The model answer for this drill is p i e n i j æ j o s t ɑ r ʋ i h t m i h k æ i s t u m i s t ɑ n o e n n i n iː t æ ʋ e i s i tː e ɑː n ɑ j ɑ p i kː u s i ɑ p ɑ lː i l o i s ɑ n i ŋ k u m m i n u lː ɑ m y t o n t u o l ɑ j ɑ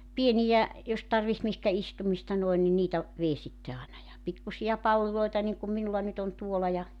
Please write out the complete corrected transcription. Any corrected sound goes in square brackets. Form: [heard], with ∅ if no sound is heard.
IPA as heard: p i e n i j æ j o s t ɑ r ʋ i h t m i h k æ i s t u m i s t ɑ n o e n n i n iː t æ ʋ e i s i tː e ɑː n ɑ j ɑ p i kː u s i ɑ p ɑ lː i l o i [t] ɑ n i ŋ k u m m i n u lː ɑ [n] y t o n t u o l ɑ j ɑ